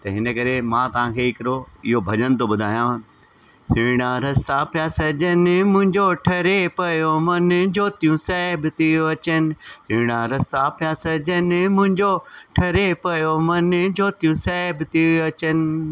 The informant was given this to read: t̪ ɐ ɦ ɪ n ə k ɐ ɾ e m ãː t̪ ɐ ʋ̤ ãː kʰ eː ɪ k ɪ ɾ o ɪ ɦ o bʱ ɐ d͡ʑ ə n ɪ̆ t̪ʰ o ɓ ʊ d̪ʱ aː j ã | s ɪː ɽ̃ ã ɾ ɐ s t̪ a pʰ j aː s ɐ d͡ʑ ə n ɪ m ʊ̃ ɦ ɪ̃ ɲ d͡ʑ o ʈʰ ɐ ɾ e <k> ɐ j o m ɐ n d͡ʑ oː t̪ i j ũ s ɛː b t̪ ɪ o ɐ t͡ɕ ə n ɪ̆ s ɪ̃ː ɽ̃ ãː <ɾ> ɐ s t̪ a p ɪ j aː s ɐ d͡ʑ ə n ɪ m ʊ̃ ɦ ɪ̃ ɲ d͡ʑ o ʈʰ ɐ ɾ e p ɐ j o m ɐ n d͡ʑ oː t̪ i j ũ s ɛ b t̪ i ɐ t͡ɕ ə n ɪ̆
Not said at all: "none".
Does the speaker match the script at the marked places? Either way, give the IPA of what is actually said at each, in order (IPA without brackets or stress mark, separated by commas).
p, ɾ